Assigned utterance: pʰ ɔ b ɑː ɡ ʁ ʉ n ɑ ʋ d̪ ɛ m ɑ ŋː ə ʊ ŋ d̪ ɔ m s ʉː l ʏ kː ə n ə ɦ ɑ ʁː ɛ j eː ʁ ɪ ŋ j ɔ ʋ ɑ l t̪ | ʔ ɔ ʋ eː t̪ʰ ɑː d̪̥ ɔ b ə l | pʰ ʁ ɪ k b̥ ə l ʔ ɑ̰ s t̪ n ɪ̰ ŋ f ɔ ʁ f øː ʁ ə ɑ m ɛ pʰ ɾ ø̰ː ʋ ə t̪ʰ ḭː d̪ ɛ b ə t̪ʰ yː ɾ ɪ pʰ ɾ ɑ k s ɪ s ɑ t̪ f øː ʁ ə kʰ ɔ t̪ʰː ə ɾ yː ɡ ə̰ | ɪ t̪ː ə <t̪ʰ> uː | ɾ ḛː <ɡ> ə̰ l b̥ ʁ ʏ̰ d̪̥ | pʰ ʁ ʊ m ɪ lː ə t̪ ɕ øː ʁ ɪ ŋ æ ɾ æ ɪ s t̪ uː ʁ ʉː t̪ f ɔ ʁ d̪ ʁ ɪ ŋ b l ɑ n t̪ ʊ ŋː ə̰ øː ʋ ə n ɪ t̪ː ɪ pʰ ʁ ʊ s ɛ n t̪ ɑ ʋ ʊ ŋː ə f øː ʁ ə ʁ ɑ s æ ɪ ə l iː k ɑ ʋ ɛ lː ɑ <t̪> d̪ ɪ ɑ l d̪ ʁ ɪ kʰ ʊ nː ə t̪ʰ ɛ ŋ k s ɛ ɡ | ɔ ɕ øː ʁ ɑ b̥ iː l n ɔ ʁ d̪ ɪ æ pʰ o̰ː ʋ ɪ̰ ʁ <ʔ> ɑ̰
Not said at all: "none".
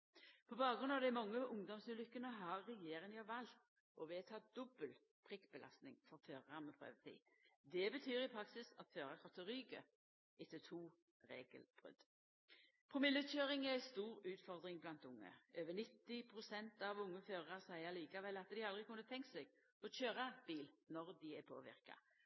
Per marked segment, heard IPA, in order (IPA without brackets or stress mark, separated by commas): t̪ʰ, ɡ, t̪, k